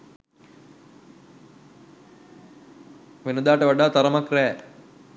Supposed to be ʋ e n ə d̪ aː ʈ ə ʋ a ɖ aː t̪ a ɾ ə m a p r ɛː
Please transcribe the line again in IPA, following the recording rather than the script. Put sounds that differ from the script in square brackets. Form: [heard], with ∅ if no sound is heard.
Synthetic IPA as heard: ʋ e n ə d̪ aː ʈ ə ʋ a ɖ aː t̪ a ɾ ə m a [k] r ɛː